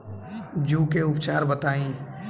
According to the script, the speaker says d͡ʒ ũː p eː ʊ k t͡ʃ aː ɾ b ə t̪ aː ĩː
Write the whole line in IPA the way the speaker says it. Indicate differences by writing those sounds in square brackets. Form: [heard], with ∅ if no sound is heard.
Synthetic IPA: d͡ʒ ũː [k] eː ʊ [p] t͡ʃ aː ɾ b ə t̪ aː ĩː